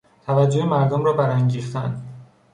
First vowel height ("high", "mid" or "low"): low